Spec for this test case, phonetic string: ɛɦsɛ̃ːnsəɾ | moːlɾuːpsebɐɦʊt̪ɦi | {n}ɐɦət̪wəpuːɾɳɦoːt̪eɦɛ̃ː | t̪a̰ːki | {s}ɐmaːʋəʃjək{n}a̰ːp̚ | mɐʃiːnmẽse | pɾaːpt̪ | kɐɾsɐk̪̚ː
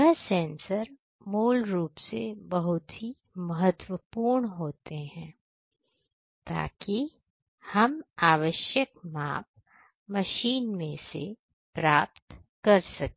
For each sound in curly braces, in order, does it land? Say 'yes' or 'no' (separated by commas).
no, no, no